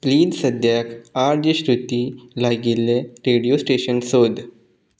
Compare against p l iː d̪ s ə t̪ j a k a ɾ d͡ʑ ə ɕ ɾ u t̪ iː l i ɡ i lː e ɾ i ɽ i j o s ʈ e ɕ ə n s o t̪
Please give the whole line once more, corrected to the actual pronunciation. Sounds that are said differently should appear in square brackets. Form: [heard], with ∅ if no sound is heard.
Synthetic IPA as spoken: p l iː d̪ s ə [d̪] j a k a ɾ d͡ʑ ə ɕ ɾ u t̪ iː l [a] ɡ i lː e ɾ [e] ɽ i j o s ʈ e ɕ ə n s o [d̪]